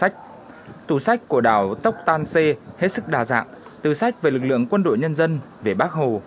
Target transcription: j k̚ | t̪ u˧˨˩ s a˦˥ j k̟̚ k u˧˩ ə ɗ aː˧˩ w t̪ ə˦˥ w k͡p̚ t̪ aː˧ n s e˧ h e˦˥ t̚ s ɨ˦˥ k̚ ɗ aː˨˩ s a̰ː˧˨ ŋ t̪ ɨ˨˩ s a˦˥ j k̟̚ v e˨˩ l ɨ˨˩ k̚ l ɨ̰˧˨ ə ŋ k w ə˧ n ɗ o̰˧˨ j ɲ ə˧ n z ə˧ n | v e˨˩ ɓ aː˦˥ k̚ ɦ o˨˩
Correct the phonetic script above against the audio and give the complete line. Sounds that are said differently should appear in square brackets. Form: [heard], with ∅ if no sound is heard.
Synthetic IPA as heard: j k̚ | t̪ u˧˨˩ s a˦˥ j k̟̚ k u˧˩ ə ɗ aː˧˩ w t̪ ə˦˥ w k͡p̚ t̪ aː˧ n s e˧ h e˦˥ t̚ s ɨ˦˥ k̚ ɗ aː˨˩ [z] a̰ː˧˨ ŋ t̪ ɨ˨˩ s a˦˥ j k̟̚ v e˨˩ l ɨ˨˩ k̚ l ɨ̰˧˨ ə ŋ k w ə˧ n ɗ o̰˧˨ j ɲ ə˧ n z ə˧ n | v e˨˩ ɓ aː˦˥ k̚ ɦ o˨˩